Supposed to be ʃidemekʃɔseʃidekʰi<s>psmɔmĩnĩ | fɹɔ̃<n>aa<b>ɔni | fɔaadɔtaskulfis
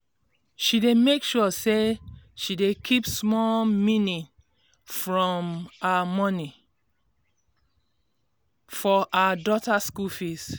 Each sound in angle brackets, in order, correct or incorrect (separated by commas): incorrect, incorrect, incorrect